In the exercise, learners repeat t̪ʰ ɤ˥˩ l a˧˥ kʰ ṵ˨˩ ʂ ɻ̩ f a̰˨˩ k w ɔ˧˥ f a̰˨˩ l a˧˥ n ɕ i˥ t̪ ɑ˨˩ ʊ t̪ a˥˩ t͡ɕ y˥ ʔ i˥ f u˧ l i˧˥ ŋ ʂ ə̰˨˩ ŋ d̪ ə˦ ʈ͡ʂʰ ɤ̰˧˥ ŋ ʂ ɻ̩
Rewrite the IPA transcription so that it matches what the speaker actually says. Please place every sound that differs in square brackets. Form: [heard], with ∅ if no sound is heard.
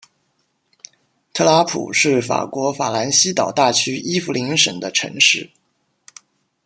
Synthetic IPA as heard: t̪ʰ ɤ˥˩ l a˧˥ [pʰ] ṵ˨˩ ʂ ɻ̩ f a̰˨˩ k w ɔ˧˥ f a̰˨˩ l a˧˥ n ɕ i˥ t̪ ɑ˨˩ ʊ t̪ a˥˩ [t͡ɕʰ] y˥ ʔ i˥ f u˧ l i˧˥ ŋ ʂ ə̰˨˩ ŋ d̪ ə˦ ʈ͡ʂʰ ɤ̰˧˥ ŋ ʂ ɻ̩